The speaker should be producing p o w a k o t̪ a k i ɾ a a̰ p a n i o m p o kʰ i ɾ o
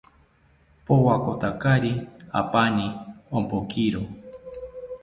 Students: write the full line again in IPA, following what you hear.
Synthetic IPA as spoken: p o w a k o t̪ a k a ɾ i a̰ p a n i o m p o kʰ i ɾ o